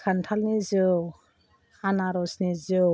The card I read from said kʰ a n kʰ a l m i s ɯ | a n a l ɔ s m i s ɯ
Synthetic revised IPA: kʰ a n tʰ a l n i z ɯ | a n a ɾ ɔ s n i z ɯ